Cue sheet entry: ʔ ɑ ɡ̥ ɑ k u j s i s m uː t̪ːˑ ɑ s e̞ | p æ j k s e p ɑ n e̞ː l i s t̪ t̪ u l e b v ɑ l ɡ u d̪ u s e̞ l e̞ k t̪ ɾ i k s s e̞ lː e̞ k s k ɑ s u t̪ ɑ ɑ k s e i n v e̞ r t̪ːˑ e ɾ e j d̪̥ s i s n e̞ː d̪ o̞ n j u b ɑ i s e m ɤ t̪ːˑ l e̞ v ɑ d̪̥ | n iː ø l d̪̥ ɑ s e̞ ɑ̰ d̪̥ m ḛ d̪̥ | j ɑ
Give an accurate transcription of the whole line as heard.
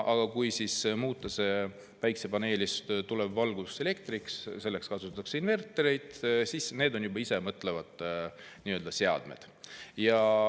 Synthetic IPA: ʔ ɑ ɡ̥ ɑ k u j s i s m uː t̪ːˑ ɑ s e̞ | p æ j k s e p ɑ n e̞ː l i s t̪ t̪ u l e b v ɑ l ɡ u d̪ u s e̞ l e̞ k t̪ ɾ i k s s e̞ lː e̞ k s k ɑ s u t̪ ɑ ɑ k s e i n v e̞ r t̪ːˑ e ɾ e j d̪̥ s i s n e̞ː d̪ o̞ n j u b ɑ i s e m ɤ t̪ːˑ l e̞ v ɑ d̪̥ | n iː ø l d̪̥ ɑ s e̞ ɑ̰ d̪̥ m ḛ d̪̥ | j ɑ